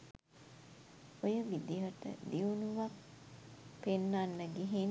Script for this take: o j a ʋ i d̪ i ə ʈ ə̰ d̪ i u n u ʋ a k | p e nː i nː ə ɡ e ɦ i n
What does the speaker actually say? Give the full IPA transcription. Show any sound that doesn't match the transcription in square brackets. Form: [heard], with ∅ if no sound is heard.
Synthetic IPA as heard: o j [ə] ʋ i d̪ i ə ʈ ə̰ d̪ i u n u ʋ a k | p e nː [a] nː ə ɡ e ɦ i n

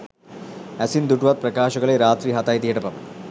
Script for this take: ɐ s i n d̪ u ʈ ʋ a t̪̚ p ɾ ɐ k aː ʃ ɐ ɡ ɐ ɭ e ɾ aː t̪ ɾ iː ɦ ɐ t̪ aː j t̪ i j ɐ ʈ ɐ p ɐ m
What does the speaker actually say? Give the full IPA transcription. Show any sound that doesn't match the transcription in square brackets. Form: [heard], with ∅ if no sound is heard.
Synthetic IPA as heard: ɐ s i n d̪ u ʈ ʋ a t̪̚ p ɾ ɐ k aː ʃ ɐ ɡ ɐ ɭ e ɾ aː t̪ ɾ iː ɦ ɐ t̪ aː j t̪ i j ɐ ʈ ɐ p ɐ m

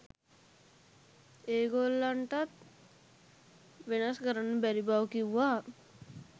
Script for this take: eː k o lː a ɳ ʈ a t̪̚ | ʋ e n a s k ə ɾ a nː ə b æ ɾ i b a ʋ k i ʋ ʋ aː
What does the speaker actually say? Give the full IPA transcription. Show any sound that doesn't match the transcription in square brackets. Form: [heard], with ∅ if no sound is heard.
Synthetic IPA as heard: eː [ɡ] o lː a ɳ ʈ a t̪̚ | ʋ e n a s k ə ɾ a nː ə b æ ɾ i b a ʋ k i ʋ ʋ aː

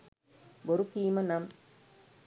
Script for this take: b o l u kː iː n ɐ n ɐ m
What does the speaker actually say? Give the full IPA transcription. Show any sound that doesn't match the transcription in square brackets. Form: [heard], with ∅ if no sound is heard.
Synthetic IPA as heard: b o [ɾ] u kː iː [m] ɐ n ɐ m

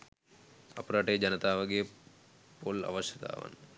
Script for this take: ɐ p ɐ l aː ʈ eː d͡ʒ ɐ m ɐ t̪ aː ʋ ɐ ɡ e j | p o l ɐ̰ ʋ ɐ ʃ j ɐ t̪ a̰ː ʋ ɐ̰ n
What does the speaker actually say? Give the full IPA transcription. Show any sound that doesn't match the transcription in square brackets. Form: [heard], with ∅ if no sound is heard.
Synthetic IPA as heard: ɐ p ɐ [ɾ] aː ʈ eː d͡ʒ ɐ [n] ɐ t̪ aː ʋ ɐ ɡ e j | p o l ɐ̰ ʋ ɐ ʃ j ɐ t̪ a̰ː ʋ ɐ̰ n

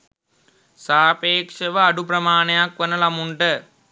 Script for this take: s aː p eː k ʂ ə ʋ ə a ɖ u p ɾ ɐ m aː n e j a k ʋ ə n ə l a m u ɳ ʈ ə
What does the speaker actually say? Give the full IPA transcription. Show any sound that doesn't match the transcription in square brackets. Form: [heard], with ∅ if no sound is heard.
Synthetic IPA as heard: s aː p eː k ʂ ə ʋ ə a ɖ u p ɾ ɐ m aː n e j a k ʋ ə n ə l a m u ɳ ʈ ə

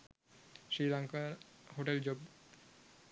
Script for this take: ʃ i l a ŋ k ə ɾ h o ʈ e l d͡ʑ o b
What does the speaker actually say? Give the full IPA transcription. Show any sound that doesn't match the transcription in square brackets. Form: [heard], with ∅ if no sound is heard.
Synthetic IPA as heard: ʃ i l a ŋ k [a] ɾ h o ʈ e l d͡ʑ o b

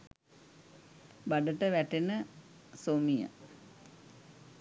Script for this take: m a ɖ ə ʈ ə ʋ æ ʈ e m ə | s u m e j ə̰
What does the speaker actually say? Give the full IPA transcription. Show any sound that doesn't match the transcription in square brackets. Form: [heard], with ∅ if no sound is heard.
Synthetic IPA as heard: [b] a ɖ ə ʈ ə ʋ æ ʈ e [n] ə | s [o] m [i] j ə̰

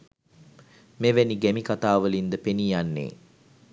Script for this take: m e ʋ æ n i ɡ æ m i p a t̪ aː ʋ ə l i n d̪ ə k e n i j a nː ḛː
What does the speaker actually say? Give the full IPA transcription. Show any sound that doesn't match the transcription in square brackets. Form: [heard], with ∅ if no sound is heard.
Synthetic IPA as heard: m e ʋ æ n i ɡ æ m i [k] a t̪ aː ʋ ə l i n d̪ ə [p] e n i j a nː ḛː

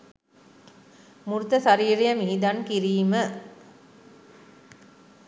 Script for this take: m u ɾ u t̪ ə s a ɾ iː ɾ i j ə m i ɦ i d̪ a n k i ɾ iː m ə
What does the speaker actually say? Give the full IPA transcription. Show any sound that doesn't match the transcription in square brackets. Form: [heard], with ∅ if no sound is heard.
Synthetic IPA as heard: m u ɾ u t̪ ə s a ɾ iː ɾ i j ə m i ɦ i d̪ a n k i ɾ iː m ə

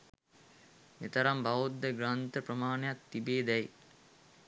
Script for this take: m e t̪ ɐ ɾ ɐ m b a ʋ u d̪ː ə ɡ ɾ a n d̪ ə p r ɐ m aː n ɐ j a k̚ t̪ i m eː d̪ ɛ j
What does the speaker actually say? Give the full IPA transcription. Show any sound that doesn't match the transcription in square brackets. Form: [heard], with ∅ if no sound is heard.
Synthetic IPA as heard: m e t̪ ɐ ɾ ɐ m b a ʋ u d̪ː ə ɡ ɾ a n [t̪] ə p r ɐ m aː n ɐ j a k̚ t̪ i [b] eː d̪ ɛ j

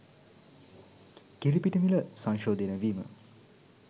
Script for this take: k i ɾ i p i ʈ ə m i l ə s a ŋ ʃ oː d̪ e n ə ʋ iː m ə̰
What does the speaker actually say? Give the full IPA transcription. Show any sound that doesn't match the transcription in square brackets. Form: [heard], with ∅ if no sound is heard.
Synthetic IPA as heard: k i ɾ i p i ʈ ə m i l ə s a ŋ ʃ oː d̪ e n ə ʋ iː m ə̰

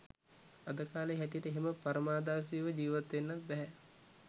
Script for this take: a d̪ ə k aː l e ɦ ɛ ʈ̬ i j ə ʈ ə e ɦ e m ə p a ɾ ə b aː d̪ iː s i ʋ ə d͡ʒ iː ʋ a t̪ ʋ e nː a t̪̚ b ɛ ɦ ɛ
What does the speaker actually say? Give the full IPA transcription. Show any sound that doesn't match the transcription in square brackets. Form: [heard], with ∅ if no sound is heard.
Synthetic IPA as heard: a d̪ ə k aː l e ɦ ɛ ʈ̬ i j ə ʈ ə e ɦ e m ə p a ɾ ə [m] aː d̪ [aː] s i ʋ ə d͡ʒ iː ʋ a t̪ ʋ e nː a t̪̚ b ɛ ɦ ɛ

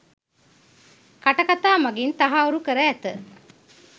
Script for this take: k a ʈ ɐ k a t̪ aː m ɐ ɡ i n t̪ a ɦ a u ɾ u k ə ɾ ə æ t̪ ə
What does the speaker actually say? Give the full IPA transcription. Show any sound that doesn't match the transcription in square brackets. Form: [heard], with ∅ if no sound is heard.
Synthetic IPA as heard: k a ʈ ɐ k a t̪ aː m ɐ ɡ i n t̪ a ɦ a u ɾ u k ə ɾ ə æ t̪ ə

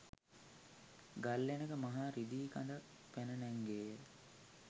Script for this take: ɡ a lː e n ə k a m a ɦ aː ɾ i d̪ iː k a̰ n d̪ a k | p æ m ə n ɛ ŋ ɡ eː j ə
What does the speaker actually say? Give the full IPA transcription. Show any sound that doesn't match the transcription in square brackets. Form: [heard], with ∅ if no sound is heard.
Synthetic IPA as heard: ɡ a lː e n ə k [ə] m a ɦ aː ɾ i d̪ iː k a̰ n d̪ a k | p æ [n] ə n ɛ ŋ ɡ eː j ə

